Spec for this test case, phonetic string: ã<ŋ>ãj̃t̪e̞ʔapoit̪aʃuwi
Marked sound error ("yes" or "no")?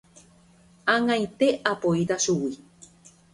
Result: no